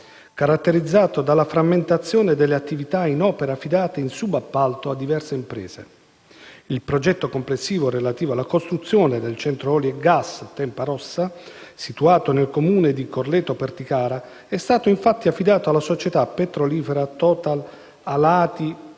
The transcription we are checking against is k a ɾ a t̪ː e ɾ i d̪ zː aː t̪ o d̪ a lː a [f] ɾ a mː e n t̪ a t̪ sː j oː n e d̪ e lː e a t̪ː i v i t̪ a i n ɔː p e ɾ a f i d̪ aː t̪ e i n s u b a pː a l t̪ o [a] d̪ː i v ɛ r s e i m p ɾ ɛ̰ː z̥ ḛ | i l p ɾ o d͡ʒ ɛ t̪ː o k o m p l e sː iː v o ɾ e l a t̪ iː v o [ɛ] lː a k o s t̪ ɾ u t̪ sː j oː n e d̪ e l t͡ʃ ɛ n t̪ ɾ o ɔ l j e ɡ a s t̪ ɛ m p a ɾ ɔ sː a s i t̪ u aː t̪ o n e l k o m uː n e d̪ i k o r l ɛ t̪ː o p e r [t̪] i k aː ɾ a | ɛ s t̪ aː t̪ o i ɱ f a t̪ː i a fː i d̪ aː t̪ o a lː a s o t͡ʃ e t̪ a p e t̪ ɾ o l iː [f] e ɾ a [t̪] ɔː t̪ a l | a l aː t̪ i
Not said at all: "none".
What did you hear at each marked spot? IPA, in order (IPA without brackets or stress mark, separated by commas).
f, a, a, t̪, f, t̪